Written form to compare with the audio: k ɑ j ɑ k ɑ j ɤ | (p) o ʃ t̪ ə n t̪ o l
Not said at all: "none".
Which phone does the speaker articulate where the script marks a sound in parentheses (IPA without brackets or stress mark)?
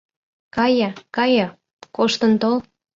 k